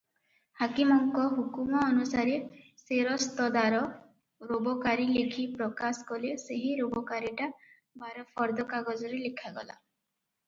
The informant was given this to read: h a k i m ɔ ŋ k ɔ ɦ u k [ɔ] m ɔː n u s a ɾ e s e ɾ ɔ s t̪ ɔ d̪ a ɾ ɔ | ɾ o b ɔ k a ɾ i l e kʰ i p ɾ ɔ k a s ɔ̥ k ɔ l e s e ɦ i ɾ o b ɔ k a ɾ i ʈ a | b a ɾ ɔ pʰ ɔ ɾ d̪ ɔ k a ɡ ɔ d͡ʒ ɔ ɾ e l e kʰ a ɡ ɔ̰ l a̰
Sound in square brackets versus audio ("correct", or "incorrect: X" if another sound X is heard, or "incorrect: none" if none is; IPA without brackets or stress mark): incorrect: u